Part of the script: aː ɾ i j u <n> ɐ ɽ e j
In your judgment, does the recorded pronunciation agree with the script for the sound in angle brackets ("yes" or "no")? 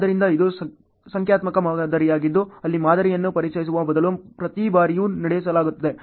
yes